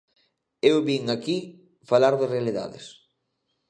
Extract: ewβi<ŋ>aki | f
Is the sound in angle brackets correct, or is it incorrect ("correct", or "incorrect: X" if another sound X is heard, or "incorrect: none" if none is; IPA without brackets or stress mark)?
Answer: correct